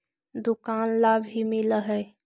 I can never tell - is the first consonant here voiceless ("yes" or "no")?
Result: no